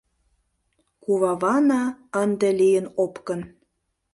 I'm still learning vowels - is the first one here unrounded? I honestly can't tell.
no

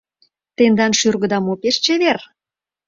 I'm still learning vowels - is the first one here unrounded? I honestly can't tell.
yes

